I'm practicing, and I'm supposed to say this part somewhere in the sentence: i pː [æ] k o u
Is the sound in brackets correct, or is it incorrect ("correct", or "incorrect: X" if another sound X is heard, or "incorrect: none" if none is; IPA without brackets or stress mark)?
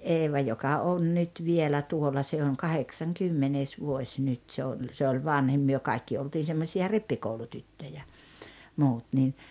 incorrect: i